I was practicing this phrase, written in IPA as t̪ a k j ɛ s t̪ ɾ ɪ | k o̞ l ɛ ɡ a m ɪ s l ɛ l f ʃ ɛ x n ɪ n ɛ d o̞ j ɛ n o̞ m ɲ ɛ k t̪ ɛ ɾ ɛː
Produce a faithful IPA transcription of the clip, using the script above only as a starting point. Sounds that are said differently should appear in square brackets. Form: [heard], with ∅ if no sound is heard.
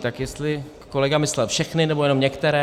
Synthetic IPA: t̪ a k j ɛ s t̪ [l] ɪ | k o̞ l ɛ ɡ a m ɪ s l ɛ l f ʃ ɛ x n ɪ n ɛ [b] o̞ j ɛ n o̞ m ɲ ɛ k t̪ ɛ ɾ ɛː